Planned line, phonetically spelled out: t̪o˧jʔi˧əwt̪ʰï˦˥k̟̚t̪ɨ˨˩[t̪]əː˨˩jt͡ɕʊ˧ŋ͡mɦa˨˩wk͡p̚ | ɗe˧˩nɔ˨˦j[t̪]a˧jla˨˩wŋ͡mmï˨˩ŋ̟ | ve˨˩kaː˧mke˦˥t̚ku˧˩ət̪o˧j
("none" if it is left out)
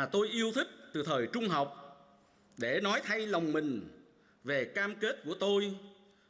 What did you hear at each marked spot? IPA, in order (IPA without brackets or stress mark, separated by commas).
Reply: t̪ʰ, t̪ʰ